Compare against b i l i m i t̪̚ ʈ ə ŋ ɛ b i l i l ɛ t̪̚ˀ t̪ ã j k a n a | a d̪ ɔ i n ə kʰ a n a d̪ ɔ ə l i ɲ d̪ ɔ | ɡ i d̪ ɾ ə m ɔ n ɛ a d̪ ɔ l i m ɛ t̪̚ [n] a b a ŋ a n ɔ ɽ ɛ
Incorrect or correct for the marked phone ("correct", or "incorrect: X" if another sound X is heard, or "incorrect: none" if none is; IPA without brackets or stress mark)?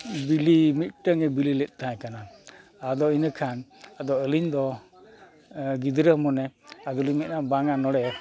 correct